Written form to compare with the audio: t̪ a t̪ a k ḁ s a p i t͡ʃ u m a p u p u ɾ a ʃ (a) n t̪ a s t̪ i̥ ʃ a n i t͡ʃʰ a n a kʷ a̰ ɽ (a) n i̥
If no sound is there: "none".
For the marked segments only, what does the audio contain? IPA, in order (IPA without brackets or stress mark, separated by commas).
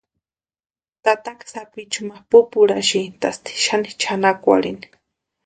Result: i, i